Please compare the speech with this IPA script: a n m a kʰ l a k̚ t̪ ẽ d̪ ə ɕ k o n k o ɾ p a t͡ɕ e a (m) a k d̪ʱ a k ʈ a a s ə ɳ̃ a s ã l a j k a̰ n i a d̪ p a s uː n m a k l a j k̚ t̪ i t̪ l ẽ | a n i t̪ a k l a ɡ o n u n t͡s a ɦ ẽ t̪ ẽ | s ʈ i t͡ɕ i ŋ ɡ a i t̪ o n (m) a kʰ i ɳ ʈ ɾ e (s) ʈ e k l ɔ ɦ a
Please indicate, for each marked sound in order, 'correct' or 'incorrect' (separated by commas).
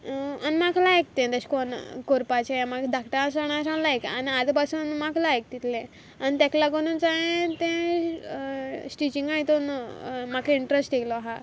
correct, correct, correct